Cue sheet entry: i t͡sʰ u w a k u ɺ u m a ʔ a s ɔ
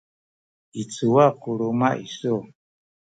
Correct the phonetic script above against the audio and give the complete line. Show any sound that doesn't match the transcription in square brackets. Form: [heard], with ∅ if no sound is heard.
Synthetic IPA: i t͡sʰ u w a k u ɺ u m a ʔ [i] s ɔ